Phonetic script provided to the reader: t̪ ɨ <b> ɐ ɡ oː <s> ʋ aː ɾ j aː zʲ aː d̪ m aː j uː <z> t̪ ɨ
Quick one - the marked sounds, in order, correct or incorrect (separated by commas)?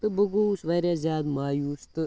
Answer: correct, correct, incorrect